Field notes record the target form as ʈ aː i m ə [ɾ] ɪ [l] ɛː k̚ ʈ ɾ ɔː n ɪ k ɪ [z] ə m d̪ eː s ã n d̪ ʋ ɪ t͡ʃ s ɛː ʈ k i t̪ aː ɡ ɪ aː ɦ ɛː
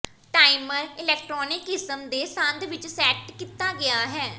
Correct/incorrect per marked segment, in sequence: correct, correct, incorrect: s

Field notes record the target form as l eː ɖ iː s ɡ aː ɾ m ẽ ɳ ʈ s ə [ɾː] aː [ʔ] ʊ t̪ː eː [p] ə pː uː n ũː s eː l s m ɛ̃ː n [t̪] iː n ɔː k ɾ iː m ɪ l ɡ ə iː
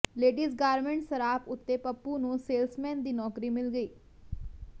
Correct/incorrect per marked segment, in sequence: incorrect: ɾ, incorrect: p, correct, incorrect: d̪

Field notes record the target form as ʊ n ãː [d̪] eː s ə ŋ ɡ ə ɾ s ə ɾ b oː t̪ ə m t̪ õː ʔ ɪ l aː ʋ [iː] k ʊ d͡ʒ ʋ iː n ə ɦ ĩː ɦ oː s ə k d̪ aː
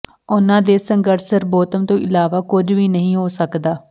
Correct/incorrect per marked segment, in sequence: correct, incorrect: aː

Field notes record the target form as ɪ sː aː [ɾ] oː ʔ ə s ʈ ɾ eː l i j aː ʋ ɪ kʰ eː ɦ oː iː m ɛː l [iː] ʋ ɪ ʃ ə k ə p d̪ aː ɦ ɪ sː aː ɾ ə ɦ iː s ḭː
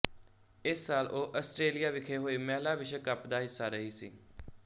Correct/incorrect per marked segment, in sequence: incorrect: l, incorrect: aː

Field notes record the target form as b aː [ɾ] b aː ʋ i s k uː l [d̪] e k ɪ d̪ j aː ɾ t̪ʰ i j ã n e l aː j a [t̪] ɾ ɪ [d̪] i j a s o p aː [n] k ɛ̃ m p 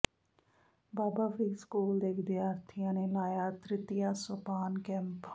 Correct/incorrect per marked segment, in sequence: incorrect: none, correct, correct, incorrect: t̪, correct

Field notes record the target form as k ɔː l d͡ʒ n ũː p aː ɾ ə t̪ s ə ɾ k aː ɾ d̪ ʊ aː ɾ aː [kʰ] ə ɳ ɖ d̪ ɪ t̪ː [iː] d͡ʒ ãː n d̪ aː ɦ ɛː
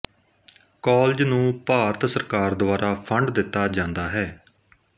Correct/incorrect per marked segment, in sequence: incorrect: pʰ, incorrect: aː

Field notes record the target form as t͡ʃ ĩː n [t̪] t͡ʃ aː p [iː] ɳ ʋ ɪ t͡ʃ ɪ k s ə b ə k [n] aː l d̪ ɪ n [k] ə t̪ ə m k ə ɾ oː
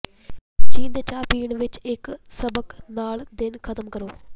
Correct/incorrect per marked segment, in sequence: incorrect: d̪, correct, correct, incorrect: kʰ

